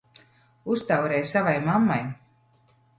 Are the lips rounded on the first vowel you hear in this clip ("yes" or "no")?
yes